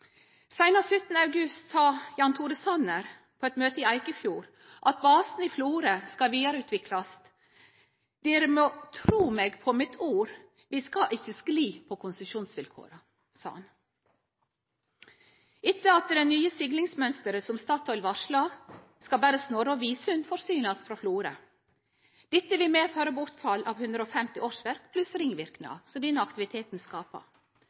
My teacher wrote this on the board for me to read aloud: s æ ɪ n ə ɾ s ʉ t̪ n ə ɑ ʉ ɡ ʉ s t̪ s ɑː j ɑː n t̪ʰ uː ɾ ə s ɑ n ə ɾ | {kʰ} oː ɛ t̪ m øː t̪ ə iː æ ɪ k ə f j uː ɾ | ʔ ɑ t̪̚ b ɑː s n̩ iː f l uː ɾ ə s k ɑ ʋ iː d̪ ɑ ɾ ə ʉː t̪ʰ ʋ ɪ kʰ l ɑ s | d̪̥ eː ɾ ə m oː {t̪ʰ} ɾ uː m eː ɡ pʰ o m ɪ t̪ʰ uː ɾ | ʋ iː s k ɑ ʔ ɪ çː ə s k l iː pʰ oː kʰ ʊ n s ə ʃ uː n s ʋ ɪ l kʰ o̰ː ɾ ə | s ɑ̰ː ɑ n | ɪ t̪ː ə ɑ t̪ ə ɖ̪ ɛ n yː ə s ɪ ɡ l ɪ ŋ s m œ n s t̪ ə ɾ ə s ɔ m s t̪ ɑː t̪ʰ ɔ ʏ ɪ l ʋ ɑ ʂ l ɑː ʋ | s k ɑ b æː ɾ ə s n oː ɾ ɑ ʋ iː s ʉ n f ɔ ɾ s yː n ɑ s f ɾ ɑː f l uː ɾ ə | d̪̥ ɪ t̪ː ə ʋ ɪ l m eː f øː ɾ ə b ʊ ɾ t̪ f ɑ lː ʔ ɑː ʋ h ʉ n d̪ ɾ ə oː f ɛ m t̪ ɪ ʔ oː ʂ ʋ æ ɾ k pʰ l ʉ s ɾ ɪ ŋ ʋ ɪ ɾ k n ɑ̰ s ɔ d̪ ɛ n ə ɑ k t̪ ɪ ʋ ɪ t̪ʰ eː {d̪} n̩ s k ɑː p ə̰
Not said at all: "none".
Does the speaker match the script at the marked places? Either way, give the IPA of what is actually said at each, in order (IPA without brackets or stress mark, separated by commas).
pʰ, t̪ʰ, t̪